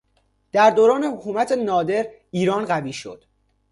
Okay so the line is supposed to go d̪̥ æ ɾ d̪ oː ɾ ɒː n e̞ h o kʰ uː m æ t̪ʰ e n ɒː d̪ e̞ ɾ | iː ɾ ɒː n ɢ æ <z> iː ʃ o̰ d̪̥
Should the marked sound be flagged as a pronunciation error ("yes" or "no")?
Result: yes